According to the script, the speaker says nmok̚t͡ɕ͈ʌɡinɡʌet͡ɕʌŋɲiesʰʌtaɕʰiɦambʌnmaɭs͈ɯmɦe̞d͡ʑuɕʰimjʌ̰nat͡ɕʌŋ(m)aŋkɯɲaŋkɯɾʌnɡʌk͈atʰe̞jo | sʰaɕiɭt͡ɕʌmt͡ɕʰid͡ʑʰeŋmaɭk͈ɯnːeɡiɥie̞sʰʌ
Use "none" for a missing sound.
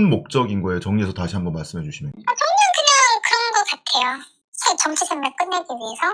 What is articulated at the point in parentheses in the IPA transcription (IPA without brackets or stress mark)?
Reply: ɲ